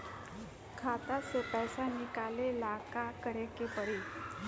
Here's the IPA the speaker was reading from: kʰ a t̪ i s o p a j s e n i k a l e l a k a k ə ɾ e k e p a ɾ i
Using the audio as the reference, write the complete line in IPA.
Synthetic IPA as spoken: kʰ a t̪ a s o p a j s a n i k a l e l a k a k ə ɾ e k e p ə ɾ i